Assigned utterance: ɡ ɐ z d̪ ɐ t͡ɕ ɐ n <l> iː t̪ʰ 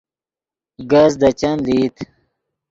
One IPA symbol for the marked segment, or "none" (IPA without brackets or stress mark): l